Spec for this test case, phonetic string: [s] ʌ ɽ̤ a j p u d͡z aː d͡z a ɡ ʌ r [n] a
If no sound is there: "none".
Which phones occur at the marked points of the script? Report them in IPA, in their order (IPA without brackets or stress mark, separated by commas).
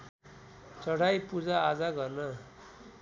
t͡s, n